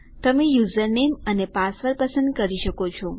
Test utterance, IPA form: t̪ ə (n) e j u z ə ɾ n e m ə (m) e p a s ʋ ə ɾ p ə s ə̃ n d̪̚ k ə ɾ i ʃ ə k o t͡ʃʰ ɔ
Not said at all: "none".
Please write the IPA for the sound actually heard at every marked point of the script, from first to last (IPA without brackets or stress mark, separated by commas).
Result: m, n